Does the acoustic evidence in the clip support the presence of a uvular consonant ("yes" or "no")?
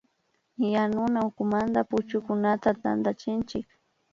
no